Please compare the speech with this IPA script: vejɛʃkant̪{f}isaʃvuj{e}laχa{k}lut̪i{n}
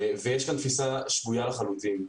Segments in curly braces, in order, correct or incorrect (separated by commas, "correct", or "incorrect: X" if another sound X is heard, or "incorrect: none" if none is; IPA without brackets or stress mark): correct, incorrect: a, incorrect: none, incorrect: m